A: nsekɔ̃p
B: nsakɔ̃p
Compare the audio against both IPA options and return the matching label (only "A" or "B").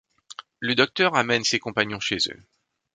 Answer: A